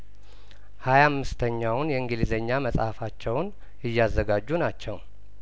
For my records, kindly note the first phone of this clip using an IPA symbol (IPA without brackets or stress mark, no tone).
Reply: h